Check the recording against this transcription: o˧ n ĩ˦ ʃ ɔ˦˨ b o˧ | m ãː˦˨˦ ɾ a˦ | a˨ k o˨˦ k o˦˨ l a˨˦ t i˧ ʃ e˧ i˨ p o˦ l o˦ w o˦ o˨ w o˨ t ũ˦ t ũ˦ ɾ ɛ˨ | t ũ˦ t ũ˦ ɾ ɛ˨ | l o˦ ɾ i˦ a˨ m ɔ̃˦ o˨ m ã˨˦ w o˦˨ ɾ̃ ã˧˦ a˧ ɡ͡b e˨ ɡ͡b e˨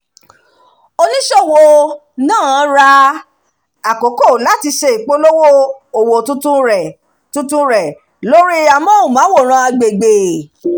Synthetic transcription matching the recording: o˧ n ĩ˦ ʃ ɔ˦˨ w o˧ | n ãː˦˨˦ ɾ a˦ | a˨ k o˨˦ k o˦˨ l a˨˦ t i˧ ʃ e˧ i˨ k͡p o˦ l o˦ w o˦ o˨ w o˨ t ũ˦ t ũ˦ ɾ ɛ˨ | t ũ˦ t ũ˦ ɾ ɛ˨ | l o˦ ɾ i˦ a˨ m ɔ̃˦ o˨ m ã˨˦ w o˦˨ ɾ̃ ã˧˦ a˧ ɡ͡b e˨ ɡ͡b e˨